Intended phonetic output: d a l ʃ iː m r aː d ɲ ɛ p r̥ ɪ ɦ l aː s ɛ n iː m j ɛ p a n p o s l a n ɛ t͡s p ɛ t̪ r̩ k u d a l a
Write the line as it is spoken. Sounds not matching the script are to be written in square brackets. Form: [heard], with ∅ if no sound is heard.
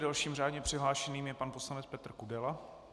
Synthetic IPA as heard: d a l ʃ iː m r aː d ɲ ɛ p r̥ ɪ ɦ l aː [ʃ] ɛ n iː m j ɛ p a n p o s l a n ɛ t͡s p ɛ t̪ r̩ k u d [ɛ] l a